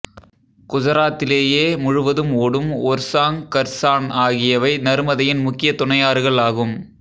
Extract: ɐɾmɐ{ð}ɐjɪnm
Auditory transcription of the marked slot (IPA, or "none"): ð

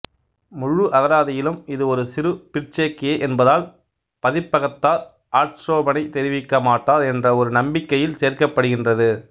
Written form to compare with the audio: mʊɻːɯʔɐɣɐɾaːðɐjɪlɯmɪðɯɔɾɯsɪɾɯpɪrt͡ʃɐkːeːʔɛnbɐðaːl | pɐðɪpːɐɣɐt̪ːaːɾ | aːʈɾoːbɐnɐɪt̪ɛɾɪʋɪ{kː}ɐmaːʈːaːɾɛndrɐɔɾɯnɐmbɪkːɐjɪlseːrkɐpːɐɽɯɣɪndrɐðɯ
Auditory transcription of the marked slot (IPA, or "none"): kː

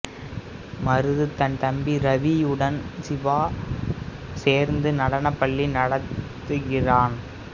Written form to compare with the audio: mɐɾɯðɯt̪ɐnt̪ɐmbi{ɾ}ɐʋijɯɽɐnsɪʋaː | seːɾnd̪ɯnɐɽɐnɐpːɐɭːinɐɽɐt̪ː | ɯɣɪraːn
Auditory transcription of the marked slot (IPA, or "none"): ɾ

